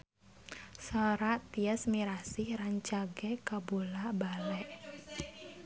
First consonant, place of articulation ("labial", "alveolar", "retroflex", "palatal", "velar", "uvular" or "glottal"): alveolar